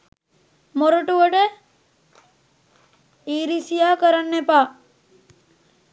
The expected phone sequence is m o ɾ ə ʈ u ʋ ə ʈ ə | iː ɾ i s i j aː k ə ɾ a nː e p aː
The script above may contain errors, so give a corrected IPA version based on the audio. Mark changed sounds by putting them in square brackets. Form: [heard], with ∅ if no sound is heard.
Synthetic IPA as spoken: m o ɾ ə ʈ u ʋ ə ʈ ə | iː ɾ i s i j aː k ə ɾ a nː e p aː